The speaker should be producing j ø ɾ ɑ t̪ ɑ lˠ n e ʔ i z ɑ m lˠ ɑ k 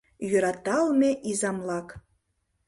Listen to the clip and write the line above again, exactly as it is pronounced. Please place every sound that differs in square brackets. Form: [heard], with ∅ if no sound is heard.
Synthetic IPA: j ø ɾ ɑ t̪ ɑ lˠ [m] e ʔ i z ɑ m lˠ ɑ k

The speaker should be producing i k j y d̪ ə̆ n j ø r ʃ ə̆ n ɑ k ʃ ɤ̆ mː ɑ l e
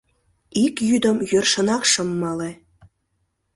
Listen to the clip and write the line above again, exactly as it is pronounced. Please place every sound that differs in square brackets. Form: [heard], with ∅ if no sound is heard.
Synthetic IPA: i k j y d̪ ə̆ [m] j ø r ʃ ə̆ n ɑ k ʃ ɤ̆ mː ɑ l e

